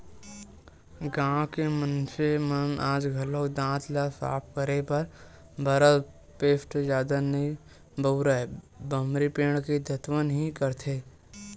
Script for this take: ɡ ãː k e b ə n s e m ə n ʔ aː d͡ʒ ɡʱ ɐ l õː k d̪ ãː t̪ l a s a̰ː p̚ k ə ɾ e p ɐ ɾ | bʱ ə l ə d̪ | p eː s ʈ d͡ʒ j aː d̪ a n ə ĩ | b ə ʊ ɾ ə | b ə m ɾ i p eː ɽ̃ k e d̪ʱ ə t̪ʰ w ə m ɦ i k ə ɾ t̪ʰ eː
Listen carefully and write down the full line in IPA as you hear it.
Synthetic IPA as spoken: ɡ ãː k e m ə n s e m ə n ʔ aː d͡ʒ ɡʱ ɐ l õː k d̪ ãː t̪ l a s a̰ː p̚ k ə ɾ e p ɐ ɾ | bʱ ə ɾ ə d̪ | p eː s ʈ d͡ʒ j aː d̪ a n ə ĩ | b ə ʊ ɾ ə | b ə m ɾ i p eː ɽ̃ k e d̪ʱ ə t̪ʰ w ə n ɦ i k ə ɾ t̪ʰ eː